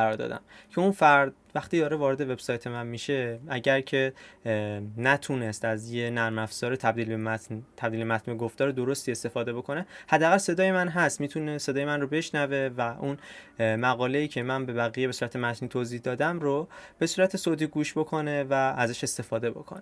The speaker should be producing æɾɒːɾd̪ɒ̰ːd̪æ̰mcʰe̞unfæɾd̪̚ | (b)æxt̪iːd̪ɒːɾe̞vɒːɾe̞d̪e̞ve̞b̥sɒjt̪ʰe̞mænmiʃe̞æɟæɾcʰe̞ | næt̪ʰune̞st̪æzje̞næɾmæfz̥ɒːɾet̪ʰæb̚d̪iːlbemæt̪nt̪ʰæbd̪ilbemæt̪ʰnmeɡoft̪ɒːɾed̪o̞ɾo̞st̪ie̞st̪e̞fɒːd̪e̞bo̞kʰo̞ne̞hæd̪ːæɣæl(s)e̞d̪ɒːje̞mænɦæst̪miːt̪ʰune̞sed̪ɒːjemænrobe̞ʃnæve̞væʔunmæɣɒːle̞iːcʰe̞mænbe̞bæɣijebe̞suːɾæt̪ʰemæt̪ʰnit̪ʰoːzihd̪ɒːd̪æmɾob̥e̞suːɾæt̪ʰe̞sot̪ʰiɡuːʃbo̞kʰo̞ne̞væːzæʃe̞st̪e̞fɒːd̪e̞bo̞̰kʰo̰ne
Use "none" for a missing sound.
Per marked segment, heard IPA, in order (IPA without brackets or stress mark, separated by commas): v, s